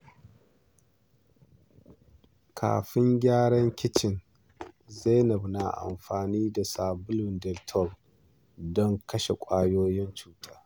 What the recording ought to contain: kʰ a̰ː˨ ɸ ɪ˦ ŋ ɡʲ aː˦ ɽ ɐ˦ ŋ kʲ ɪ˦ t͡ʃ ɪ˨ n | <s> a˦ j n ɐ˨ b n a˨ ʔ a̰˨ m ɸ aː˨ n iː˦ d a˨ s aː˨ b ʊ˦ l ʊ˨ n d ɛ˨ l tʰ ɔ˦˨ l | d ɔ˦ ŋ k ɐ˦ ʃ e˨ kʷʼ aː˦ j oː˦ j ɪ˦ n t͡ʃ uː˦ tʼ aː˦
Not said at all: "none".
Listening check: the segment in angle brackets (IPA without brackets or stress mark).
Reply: z